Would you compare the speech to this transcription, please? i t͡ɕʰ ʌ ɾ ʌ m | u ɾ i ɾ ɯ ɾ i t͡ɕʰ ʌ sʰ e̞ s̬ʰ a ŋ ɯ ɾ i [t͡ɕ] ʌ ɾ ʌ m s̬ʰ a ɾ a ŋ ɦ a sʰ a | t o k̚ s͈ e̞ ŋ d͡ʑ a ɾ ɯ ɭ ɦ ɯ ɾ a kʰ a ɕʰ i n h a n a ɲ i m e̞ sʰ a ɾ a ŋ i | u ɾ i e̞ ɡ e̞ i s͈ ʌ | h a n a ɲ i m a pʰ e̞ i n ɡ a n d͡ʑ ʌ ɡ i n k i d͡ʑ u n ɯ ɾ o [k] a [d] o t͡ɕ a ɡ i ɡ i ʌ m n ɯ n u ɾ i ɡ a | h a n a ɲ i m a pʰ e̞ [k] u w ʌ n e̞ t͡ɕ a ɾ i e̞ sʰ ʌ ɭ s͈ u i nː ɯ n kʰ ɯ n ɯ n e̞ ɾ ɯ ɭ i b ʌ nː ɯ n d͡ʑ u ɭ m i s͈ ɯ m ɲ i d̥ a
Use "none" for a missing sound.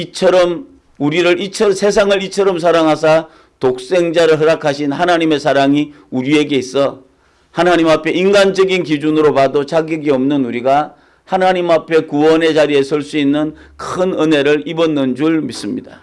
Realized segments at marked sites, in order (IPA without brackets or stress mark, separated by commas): t͡ɕʰ, p, d, k